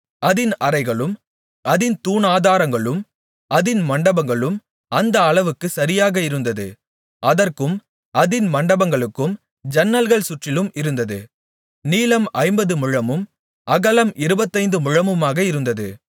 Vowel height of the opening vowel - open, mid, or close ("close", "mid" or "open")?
open